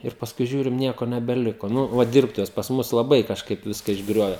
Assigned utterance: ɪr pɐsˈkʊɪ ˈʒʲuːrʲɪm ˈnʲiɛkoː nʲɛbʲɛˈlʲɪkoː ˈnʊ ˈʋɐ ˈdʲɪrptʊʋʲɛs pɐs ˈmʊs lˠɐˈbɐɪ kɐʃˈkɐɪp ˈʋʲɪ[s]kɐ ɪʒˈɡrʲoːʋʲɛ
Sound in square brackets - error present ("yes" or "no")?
no